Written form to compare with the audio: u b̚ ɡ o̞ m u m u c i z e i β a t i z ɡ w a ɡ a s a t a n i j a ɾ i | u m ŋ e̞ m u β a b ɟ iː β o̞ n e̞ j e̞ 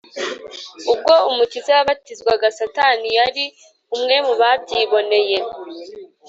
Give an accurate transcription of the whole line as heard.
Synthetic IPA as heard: u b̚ ɡ o̞ u m u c i z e a β a t i z ɡ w a ɡ a s a t a n i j a ɾ i | u m ŋ e̞ m u β a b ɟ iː β o̞ n e̞ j e̞